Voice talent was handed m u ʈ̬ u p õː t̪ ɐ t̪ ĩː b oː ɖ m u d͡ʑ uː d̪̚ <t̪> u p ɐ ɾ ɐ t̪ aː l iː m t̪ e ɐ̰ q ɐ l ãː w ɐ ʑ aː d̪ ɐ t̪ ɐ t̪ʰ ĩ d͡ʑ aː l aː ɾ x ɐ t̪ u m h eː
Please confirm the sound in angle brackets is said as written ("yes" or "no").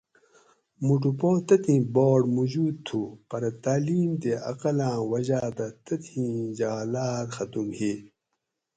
no